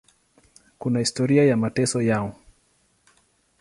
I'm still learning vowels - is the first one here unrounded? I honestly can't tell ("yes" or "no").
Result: no